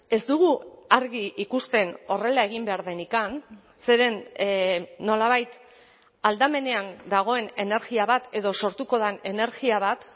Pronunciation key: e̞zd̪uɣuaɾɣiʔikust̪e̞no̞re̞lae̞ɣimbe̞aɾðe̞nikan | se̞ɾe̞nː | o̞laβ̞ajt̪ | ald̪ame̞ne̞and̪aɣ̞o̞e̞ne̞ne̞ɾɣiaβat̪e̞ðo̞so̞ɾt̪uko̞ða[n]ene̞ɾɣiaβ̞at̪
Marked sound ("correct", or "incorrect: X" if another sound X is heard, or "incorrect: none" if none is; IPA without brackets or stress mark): correct